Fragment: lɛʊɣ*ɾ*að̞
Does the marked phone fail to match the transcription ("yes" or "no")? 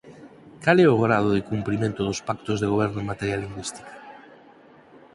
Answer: no